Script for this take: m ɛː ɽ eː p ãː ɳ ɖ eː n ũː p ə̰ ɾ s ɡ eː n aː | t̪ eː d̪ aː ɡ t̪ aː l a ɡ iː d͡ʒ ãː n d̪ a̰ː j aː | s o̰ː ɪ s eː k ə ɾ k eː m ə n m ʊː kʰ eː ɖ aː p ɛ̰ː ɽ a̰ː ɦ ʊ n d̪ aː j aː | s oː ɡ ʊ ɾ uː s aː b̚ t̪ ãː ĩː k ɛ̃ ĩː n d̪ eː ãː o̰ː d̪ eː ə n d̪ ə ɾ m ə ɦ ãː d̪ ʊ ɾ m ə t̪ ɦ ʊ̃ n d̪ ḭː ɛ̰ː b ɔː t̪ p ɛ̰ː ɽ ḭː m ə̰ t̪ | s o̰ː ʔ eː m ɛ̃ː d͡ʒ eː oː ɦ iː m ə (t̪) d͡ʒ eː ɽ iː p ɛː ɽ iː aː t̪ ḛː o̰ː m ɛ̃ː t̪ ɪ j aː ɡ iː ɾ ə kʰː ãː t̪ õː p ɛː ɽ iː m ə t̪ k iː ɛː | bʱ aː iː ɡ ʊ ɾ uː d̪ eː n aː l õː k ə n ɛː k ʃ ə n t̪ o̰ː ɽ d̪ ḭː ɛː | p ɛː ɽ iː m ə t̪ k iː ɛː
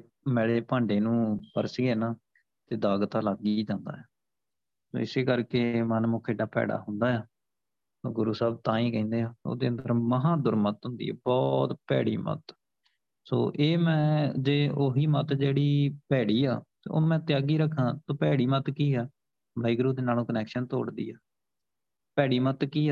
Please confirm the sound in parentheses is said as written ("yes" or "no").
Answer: yes